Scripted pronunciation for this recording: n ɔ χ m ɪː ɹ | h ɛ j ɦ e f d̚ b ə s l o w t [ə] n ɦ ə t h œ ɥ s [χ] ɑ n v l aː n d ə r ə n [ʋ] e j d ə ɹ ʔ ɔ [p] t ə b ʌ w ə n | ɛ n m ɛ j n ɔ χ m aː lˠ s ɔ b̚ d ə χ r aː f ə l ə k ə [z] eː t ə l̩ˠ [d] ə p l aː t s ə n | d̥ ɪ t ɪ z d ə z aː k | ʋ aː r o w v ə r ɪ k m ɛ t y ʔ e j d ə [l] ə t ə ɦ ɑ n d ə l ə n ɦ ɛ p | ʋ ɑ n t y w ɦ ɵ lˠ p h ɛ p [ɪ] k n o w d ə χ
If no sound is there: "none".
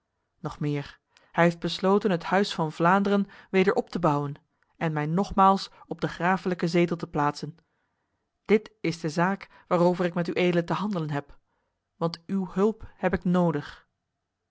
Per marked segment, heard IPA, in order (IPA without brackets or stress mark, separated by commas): ə, f, ʋ, p, z, t, l, ɪ